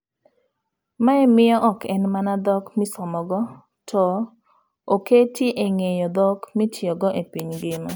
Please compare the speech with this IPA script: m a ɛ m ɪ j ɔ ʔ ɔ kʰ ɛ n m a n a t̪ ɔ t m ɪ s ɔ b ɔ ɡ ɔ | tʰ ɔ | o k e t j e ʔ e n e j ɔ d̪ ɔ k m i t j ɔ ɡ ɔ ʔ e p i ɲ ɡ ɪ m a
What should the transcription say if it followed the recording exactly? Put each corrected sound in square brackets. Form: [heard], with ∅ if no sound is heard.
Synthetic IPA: m a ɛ m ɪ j ɔ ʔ ɔ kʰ ɛ n m a n a [d̪] ɔ [k] m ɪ s ɔ [m] ɔ ɡ ɔ | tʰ ɔ | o k e t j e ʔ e [ŋ] e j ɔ d̪ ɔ k m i t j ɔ ɡ ɔ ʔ e p i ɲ ɡ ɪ m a